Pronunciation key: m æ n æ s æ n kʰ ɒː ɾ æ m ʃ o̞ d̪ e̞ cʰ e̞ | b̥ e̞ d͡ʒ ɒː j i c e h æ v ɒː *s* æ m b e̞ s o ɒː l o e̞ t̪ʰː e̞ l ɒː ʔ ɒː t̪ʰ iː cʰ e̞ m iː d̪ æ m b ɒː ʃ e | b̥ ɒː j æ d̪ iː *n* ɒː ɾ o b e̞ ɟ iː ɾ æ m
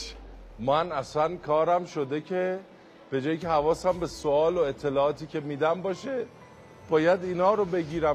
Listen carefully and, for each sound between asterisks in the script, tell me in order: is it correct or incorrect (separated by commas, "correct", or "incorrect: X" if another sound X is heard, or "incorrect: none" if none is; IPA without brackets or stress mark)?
correct, correct